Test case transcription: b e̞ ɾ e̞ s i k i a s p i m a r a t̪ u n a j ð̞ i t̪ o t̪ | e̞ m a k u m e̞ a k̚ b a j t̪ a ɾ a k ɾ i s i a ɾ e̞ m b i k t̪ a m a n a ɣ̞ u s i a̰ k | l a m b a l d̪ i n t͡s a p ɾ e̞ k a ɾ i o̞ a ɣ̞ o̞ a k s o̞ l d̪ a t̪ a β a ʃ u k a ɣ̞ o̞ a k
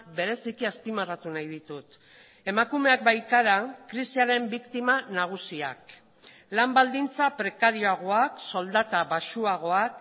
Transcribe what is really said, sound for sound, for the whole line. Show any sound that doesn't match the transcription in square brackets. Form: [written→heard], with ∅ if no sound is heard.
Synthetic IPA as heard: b e̞ ɾ e̞ s i k i a s p i m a r a t̪ u n a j ð̞ i t̪ [o→u] t̪ | e̞ m a k u m e̞ a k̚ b a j t̪ a ɾ a k ɾ i s i a ɾ e̞ m b i k t̪ [a→i] m a n a ɣ̞ u s i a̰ k | l a m b a l d̪ i n t͡s a p ɾ e̞ k a ɾ i o̞ a ɣ̞ o̞ a k s o̞ l d̪ a t̪ a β a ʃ u [k→∅] a ɣ̞ o̞ a k